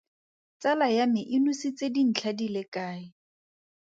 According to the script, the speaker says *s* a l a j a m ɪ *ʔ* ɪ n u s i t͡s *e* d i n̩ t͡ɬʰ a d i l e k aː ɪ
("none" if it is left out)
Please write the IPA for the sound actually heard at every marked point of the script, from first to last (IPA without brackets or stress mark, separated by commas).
t͡s, ʔ, e